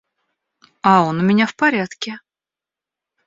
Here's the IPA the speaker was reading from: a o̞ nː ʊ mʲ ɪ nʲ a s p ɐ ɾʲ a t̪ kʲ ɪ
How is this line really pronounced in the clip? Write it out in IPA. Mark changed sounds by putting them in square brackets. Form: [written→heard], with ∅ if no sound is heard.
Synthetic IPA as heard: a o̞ [nː→n] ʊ mʲ ɪ nʲ a [s→f] p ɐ ɾʲ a t̪ kʲ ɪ